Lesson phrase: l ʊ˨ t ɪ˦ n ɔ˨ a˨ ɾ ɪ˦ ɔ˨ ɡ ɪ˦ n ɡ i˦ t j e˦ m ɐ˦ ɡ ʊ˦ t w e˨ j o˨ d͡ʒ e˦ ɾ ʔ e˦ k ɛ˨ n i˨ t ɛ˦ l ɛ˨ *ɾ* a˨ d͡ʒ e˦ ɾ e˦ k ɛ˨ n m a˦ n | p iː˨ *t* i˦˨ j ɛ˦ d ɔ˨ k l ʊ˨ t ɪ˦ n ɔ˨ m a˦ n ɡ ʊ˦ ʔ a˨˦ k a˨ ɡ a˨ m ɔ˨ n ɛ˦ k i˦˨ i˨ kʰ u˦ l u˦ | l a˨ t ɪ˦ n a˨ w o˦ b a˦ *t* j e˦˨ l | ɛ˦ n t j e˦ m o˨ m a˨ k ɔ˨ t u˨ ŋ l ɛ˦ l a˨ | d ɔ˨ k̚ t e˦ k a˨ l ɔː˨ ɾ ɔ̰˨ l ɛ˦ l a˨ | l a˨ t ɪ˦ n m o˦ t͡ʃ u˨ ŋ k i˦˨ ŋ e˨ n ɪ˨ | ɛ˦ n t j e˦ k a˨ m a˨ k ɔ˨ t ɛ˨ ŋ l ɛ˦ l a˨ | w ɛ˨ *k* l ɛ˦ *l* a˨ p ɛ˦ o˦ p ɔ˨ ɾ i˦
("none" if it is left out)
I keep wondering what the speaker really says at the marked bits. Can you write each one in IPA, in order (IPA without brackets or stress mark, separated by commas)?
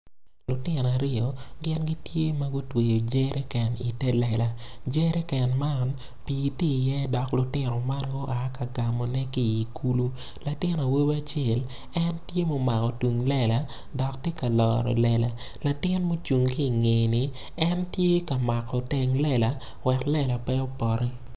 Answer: l, t, t͡ʃ, k, l